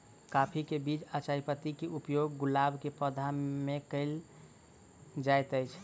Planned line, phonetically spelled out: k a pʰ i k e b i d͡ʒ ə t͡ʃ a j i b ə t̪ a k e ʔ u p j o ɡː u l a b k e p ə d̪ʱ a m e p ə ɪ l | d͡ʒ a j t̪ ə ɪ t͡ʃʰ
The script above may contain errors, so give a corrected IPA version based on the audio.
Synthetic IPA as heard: k a pʰ i k e b i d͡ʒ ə t͡ʃ a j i p ə t̪ i k e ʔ u p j o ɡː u l a b k e p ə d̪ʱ a m e k ə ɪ l | d͡ʒ a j t̪ ə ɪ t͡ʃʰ